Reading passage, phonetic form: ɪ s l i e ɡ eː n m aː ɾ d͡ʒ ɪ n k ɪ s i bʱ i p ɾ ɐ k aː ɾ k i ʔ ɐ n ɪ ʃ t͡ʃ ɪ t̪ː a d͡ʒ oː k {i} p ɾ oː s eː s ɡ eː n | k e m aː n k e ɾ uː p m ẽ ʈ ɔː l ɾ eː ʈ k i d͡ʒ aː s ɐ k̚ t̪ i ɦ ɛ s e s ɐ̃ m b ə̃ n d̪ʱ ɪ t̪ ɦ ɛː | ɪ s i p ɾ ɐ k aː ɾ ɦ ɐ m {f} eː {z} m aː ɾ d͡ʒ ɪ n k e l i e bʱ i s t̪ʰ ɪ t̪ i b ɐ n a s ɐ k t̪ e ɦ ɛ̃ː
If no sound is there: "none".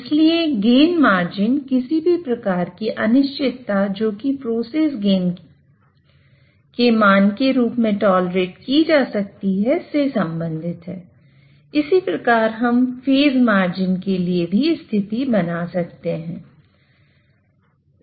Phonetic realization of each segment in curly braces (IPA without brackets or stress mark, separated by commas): i, f, z